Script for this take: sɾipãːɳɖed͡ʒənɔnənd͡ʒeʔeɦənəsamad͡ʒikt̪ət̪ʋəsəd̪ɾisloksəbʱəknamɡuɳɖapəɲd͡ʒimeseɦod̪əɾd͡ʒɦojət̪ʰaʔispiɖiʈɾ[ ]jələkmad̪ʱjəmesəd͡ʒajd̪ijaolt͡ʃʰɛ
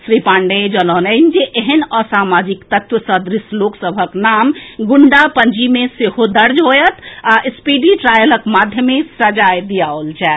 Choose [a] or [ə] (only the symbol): a